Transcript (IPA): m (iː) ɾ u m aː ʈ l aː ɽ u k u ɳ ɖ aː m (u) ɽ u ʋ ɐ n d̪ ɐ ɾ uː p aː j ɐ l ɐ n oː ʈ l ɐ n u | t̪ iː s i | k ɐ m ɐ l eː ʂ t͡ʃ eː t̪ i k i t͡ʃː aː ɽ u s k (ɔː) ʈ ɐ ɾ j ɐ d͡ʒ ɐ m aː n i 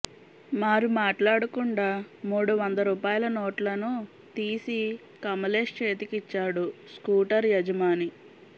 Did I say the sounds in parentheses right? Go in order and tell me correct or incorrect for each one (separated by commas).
incorrect, incorrect, incorrect